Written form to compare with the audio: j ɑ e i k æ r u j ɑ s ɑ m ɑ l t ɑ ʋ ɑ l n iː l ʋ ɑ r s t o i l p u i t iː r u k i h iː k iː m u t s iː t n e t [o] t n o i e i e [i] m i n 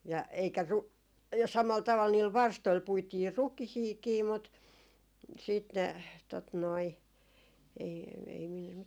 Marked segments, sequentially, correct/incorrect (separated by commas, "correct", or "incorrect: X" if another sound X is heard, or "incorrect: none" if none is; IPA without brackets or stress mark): correct, correct